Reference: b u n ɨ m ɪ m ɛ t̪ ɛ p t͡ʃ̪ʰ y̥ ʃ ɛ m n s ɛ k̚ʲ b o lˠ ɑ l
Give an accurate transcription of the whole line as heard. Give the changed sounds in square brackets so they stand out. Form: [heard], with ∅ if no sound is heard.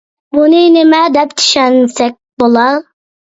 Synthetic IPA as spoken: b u n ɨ [n] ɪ m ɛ [d̪] ɛ p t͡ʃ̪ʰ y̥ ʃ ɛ [∅] n s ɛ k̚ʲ b o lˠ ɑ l